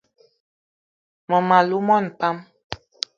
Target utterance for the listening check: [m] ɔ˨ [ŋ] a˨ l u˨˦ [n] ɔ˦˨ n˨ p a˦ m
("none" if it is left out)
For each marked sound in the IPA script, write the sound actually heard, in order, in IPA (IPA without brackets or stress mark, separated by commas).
m, m, m